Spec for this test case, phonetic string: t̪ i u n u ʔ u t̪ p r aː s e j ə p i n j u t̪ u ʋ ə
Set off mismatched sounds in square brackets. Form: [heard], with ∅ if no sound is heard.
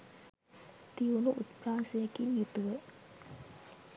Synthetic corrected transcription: t̪ i u n u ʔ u t̪ p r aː s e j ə [k] i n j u t̪ u ʋ ə